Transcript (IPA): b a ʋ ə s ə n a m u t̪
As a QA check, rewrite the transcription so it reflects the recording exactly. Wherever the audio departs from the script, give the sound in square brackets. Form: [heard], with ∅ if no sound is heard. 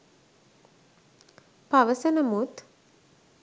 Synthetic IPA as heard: [p] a ʋ ə s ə n [ə] m u t̪